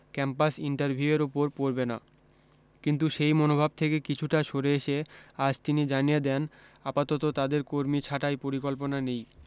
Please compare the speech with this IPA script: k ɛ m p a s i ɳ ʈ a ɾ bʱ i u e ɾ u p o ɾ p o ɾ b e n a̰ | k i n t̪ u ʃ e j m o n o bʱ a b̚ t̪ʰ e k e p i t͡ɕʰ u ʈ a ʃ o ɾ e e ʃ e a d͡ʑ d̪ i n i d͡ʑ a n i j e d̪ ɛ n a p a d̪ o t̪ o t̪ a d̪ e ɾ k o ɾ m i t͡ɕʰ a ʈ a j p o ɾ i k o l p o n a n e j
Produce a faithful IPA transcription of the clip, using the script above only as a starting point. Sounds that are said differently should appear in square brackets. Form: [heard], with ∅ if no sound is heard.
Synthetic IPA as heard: k ɛ m p a s i ɳ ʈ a ɾ bʱ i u e ɾ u p o ɾ p o ɾ b e n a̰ | k i n t̪ u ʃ e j m o n o bʱ a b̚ t̪ʰ e k e [k] i t͡ɕʰ u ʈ a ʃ o ɾ e e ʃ e a d͡ʑ [t̪] i n i d͡ʑ a n i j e d̪ ɛ n a p a [t̪] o t̪ o t̪ a d̪ e ɾ k o ɾ m i t͡ɕʰ a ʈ a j p o ɾ i k o l p o n a n e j